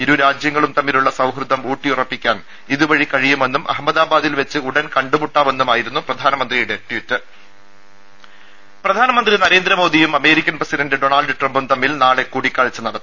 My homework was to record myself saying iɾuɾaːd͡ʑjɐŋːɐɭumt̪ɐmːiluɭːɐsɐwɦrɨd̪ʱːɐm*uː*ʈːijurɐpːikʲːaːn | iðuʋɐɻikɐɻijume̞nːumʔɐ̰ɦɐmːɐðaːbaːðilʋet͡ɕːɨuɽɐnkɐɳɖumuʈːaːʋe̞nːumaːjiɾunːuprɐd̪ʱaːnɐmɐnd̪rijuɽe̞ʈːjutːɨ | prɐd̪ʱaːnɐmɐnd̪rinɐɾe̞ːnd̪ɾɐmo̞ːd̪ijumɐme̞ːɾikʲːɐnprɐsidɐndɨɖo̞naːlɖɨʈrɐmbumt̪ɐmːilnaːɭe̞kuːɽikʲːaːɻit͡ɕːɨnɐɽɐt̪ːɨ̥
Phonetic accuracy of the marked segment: correct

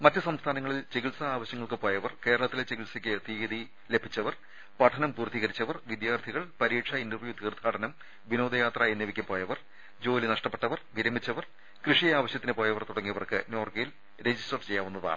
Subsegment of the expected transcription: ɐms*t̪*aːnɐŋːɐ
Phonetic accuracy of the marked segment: incorrect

